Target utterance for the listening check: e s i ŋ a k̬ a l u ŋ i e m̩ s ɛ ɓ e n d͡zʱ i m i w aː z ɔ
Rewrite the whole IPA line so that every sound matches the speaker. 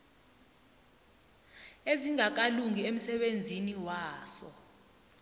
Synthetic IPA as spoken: e z i ŋ a k̬ a l u ŋ i e m̩ s ɛ ɓ e n d͡zʱ i n i w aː s ɔ